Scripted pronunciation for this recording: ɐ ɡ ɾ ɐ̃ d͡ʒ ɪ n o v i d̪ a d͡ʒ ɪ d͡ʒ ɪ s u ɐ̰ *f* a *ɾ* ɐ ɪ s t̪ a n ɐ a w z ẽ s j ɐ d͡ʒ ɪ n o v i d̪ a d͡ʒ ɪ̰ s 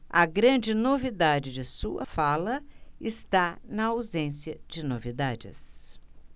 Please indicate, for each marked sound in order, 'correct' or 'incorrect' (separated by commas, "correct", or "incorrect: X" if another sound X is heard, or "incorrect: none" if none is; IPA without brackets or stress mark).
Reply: correct, incorrect: l